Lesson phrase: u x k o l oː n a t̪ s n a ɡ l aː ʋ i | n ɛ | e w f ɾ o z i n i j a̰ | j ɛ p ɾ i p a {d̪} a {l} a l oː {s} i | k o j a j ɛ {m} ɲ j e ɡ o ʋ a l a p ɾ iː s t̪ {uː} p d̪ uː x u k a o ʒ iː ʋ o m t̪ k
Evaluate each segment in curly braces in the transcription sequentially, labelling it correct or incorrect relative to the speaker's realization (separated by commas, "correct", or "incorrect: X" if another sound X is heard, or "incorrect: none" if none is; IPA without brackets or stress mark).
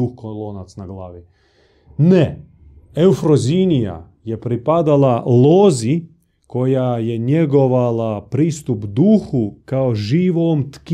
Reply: correct, correct, incorrect: z, incorrect: none, incorrect: u